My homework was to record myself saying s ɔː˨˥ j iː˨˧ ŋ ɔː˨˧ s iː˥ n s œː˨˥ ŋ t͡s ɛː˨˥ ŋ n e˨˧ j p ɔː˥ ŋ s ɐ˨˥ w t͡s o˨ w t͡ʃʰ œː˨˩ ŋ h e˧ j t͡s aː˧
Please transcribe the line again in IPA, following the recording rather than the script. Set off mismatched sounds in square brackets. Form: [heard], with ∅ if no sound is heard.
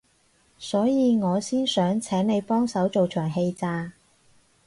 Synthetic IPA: s ɔː˨˥ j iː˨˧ ŋ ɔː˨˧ s iː˥ n s œː˨˥ ŋ [t͡sʰ] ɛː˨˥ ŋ n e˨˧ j p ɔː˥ ŋ s ɐ˨˥ w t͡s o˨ w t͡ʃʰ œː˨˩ ŋ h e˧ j t͡s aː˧